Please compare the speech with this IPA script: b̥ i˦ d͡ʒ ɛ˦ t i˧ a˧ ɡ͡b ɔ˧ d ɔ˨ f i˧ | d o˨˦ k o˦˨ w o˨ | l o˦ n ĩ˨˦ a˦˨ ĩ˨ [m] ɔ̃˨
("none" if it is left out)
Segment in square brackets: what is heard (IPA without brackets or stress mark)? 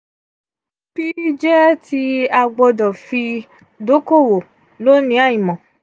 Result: m